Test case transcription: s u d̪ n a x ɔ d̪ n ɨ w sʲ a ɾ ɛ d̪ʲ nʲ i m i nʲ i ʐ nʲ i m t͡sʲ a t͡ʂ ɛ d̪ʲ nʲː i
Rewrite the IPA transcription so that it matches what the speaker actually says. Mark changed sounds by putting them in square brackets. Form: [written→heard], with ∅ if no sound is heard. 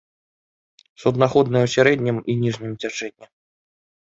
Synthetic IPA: s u d̪ n a x ɔ d̪ n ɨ w sʲ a ɾ ɛ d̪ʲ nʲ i m i nʲ i ʐ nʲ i m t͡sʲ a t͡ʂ ɛ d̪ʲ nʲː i